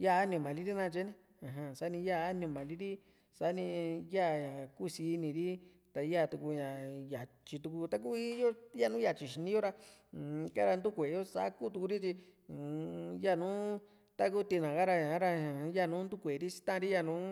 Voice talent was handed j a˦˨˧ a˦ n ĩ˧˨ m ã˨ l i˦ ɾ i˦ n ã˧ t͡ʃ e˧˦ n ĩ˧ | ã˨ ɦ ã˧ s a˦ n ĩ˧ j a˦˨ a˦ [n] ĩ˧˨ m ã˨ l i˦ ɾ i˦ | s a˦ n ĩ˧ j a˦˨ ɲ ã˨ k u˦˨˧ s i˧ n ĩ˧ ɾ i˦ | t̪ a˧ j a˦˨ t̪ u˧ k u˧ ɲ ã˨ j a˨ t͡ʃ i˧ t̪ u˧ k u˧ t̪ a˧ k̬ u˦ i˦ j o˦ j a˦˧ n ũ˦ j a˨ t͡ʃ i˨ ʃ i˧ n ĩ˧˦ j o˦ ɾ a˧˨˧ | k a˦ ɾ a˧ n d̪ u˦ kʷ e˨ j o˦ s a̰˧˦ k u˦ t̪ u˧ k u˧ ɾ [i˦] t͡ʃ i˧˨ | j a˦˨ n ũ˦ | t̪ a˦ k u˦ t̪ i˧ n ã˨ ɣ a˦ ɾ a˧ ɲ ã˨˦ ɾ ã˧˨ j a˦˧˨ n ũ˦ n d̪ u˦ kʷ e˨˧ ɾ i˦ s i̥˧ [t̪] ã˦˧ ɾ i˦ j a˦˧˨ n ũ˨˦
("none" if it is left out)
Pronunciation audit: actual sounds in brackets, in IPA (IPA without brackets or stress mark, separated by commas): n, i˦, t̪